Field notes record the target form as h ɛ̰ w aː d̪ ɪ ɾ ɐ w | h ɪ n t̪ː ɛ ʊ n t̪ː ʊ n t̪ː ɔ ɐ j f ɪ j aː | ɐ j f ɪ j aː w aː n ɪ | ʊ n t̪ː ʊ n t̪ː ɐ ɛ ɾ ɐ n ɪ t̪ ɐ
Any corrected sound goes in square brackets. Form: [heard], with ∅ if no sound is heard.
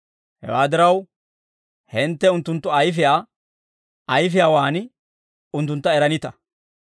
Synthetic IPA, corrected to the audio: h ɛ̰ w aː d̪ ɪ ɾ ɐ w | h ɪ n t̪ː ɛ ʊ n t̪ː ʊ n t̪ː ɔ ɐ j f ɪ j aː | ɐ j f ɪ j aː w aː n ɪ | ʊ n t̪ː ʊ n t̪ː ɐ ɛ ɾ ɐ n ɪ t̪ ɐ